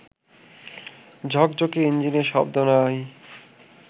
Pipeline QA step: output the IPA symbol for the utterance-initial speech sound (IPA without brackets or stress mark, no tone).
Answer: d͡ʑʱ